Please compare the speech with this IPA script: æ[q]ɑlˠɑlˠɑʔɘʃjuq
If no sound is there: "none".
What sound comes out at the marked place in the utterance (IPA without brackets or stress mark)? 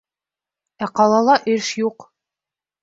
q